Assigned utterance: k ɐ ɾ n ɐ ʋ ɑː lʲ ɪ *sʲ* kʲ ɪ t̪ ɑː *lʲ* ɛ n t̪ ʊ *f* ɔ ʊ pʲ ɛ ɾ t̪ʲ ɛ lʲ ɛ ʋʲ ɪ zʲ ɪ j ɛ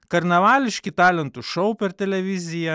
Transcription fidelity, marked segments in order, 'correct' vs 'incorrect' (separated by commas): incorrect, correct, incorrect